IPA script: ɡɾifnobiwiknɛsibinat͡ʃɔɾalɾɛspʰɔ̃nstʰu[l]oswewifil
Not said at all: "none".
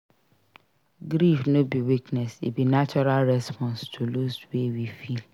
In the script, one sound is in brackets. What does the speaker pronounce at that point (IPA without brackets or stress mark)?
l